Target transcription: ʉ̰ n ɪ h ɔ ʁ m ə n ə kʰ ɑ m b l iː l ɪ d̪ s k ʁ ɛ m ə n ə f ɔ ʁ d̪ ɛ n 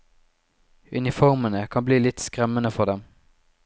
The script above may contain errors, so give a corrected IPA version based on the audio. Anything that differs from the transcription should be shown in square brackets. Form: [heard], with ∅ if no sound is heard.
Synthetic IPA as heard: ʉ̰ n ɪ [f] ɔ ʁ m ə n ə kʰ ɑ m b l iː l ɪ [t̪] s k ʁ ɛ m ə n ə f ɔ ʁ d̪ ɛ [m]